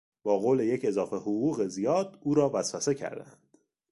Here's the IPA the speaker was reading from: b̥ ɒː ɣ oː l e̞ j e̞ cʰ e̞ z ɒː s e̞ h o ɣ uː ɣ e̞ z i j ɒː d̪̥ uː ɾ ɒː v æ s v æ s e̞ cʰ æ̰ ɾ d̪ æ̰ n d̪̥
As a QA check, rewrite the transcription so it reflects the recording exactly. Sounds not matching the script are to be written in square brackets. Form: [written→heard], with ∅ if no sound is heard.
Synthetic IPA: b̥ ɒː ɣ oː l e̞ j e̞ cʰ e̞ z ɒː [s→f] e̞ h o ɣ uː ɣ e̞ z i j ɒː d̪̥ uː ɾ ɒː v æ s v æ s e̞ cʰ æ̰ ɾ d̪ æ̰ n d̪̥